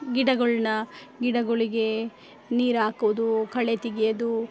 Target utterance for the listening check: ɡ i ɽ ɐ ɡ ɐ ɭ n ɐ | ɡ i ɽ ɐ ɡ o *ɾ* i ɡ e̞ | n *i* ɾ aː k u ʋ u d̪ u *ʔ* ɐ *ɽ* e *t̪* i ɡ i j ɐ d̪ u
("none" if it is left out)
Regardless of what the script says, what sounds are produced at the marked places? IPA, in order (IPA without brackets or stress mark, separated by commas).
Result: ɭ, iː, k, ɭ, t̪